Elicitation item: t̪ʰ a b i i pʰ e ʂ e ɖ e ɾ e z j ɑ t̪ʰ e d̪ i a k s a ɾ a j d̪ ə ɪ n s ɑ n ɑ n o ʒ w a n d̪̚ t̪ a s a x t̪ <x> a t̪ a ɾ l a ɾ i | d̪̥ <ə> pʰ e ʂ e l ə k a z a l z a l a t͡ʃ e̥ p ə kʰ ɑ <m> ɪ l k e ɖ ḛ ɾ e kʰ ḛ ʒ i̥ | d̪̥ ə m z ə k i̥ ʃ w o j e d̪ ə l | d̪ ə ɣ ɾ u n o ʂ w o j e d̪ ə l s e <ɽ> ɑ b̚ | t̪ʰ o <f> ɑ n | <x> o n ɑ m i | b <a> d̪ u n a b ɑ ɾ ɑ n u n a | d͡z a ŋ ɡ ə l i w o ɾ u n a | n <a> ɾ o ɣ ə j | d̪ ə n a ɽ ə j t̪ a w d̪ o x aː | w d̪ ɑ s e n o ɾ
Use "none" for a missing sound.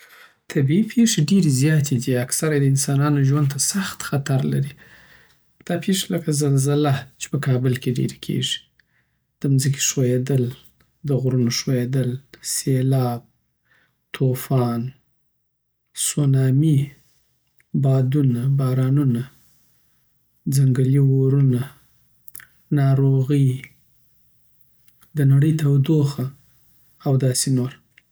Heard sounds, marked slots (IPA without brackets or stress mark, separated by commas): x, ɑ, b, l, f, s, ɑ, ɑ